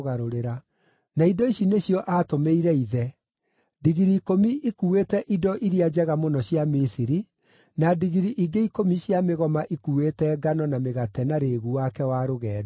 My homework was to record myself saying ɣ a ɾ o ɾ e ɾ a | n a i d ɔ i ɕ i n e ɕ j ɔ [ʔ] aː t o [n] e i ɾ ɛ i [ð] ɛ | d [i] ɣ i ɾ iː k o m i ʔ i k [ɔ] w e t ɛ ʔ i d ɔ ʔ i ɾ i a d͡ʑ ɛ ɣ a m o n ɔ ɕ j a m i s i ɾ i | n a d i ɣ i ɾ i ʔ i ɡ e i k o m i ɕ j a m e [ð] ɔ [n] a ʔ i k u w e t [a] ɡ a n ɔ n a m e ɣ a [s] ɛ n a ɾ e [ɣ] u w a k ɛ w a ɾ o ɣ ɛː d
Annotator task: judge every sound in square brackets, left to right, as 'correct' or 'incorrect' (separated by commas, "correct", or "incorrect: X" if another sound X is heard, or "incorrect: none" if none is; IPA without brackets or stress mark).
correct, incorrect: m, correct, correct, incorrect: u, incorrect: ɣ, incorrect: m, incorrect: ɛ, incorrect: t, correct